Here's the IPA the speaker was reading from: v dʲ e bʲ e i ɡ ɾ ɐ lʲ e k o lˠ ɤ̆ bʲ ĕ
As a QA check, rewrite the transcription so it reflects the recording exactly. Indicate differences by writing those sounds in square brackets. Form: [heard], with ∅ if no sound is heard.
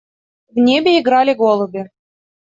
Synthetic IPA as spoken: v [nʲ] e bʲ e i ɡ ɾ [ɑ] lʲ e [ɡ] o lˠ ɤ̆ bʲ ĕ